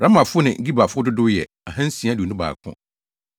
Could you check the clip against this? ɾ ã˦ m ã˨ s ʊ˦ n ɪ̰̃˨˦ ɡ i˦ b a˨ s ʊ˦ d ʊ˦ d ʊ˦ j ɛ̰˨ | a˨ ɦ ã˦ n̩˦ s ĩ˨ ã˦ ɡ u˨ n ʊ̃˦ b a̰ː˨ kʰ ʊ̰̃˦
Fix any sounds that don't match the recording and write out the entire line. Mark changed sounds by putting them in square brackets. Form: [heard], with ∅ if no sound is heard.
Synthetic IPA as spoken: ɾ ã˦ m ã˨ [f] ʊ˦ n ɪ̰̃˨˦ ɡ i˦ b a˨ [f] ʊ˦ d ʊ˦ d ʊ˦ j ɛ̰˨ | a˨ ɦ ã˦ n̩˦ s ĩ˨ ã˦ [d] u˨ n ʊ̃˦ b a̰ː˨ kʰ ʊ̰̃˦